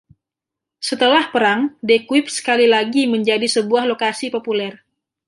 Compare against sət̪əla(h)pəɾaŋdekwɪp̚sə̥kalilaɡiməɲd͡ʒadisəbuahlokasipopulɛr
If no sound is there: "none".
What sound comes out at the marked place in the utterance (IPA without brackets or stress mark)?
h